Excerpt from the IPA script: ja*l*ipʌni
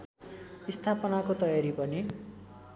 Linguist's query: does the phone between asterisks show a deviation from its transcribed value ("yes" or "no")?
yes